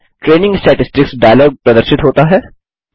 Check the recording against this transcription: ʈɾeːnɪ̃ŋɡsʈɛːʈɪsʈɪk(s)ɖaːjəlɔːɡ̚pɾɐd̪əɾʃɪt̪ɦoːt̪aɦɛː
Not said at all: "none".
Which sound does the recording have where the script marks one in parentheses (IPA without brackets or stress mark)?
s